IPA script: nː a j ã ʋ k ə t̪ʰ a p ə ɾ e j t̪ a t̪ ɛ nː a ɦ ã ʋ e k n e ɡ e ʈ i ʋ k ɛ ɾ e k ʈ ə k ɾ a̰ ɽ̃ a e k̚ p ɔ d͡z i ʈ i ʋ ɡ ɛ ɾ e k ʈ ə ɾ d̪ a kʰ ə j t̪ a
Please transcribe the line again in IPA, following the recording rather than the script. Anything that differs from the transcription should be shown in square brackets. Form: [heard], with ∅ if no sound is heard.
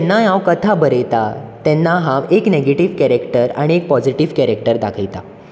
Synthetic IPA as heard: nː a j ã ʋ k ə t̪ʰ a [b] ə ɾ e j t̪ a t̪ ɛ nː a ɦ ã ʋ e k n e ɡ e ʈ i ʋ k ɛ ɾ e k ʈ ə [∅] ɾ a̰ ɽ̃ [i] e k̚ p ɔ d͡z i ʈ i ʋ [k] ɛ ɾ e k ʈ ə ɾ d̪ a kʰ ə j t̪ a